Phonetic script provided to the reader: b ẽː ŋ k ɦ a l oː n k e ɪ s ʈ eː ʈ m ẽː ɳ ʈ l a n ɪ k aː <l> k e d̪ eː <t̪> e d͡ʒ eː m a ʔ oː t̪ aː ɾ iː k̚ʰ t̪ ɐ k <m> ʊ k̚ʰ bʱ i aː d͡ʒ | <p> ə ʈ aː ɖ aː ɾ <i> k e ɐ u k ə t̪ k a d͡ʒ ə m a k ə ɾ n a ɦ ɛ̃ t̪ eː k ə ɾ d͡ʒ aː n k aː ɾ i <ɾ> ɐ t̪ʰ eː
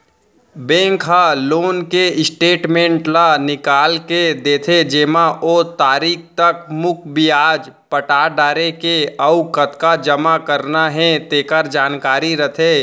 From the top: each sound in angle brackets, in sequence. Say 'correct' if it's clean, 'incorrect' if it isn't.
correct, incorrect: t̪ʰ, correct, correct, incorrect: e, correct

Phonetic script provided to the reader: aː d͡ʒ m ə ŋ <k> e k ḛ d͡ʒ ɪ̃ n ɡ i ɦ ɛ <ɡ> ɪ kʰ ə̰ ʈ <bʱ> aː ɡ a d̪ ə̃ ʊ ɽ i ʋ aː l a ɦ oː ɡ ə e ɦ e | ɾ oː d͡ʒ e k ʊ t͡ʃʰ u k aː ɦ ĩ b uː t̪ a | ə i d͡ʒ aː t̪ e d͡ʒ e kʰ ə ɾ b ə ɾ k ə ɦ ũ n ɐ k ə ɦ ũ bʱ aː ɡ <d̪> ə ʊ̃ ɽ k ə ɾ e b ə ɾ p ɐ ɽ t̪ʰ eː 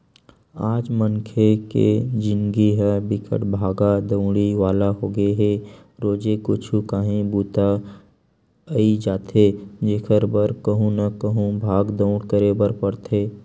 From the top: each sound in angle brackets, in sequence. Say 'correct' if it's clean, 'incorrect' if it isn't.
incorrect: kʰ, incorrect: b, correct, correct

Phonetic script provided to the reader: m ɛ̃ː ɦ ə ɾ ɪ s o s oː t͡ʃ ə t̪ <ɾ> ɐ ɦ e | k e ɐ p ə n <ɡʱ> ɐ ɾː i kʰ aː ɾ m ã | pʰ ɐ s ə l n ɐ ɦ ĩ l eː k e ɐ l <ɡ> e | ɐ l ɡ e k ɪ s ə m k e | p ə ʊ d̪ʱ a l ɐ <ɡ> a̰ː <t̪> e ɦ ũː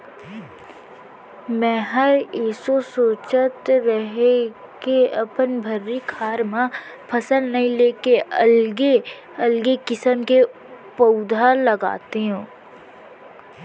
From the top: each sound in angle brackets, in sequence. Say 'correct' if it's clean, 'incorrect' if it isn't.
correct, incorrect: bʱ, correct, correct, correct

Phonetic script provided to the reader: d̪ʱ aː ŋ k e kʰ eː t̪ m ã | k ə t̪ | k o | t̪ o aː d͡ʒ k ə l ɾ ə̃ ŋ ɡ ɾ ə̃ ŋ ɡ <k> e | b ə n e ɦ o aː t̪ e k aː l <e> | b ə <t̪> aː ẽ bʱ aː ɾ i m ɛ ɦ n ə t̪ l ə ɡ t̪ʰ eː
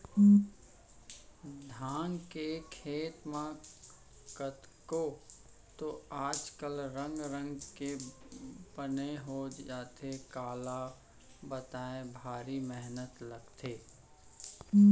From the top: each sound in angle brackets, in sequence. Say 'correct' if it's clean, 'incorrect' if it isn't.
correct, incorrect: a, correct

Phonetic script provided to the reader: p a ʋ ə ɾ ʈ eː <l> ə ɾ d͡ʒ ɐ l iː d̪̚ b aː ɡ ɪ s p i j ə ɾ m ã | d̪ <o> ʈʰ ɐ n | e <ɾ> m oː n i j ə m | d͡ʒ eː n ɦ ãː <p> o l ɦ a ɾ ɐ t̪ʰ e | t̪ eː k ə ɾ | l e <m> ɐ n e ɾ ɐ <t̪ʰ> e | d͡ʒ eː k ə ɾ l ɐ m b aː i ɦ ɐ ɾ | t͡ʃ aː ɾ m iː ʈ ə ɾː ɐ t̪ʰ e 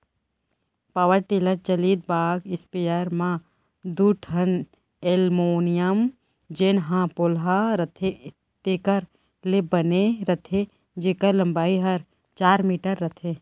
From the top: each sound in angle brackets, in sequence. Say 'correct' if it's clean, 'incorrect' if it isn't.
correct, incorrect: u, incorrect: l, correct, incorrect: b, correct

